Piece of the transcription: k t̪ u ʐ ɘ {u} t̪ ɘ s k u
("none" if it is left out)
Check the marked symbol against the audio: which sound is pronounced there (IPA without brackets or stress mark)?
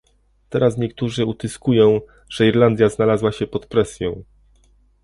u